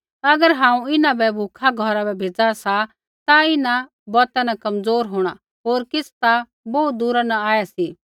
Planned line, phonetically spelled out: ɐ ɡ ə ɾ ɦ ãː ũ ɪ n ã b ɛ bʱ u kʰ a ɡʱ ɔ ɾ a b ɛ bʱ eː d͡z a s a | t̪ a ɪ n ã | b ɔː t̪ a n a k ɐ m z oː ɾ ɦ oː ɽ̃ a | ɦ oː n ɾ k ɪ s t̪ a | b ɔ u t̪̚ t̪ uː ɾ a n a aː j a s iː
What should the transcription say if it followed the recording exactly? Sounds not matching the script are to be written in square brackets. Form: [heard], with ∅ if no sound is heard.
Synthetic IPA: ɐ ɡ ə ɾ ɦ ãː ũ ɪ n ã b ɛ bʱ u kʰ a ɡʱ ɔ ɾ a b ɛ bʱ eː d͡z a s a | t̪ a ɪ n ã | b ɔː t̪ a n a k ɐ m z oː ɾ ɦ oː ɽ̃ a | ɦ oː [∅] ɾ k ɪ s t̪ a | b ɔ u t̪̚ [d̪] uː ɾ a n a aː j a s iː